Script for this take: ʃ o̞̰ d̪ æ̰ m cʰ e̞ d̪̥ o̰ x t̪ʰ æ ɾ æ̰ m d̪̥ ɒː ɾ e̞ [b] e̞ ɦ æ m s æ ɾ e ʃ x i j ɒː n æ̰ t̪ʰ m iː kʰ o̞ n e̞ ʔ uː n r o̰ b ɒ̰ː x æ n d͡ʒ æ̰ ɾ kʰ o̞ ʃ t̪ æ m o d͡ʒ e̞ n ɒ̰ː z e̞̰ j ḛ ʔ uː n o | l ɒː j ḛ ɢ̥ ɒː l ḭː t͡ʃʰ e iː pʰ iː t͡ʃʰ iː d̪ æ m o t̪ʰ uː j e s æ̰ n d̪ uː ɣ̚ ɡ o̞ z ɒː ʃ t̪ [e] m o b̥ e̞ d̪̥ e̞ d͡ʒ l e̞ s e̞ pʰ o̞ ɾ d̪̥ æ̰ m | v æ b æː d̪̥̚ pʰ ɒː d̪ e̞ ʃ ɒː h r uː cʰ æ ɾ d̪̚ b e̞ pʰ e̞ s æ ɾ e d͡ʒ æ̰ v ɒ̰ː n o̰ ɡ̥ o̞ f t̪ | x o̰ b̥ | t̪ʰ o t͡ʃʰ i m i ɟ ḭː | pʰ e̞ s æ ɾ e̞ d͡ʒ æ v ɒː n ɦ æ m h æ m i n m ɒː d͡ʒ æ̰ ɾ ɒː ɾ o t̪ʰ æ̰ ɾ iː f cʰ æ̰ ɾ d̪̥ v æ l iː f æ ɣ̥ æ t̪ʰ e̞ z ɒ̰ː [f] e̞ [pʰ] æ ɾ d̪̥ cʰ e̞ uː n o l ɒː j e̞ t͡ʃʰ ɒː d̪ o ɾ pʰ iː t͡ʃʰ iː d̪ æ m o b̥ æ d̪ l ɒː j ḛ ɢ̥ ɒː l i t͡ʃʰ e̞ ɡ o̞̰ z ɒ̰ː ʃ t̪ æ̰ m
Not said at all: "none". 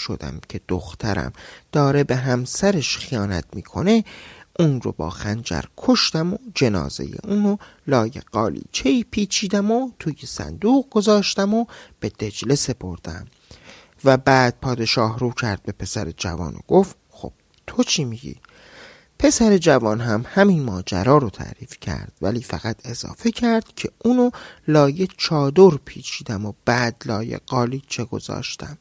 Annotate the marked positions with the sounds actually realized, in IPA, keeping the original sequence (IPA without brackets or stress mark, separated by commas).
b, æ, f, cʰ